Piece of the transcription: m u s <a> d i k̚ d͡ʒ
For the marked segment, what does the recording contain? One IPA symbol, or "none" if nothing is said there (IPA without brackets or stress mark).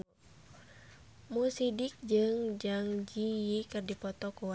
i